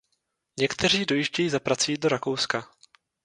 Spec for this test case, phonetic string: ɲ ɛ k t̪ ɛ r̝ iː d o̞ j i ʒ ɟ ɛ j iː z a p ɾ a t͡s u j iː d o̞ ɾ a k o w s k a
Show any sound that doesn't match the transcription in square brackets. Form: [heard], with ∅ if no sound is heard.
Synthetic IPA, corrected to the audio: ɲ ɛ k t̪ ɛ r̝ iː d o̞ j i ʒ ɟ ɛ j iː z a p ɾ a t͡s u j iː d o̞ ɾ a k o w s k a